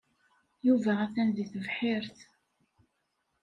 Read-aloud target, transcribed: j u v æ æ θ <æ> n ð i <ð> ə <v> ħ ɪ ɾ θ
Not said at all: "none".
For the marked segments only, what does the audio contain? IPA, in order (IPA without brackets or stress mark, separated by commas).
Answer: æ, θ, v